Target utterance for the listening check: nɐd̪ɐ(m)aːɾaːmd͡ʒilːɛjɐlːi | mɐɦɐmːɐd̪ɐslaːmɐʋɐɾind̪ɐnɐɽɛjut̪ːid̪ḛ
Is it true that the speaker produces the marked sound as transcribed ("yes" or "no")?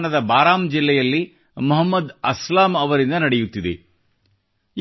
no